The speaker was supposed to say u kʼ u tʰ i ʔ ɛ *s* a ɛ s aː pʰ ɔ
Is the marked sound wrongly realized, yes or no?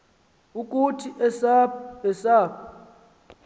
no